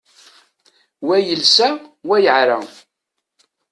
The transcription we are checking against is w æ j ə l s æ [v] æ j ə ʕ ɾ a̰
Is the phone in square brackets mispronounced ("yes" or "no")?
yes